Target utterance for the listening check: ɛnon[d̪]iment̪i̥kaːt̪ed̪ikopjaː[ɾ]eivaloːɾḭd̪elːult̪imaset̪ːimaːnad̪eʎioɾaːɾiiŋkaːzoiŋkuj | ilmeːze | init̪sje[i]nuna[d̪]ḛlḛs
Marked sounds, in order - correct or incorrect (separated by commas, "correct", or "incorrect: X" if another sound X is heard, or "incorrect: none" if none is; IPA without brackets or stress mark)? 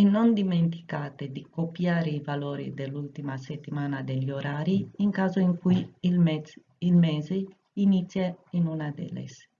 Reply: correct, correct, correct, correct